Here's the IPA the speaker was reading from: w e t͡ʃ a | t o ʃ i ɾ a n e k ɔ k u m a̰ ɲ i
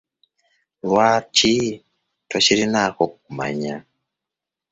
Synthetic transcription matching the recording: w a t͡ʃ i | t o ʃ i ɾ i n a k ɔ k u m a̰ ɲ a